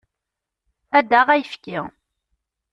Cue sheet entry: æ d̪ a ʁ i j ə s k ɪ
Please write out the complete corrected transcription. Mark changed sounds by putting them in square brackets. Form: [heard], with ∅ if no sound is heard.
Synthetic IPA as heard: æ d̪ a ʁ [æ] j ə [f] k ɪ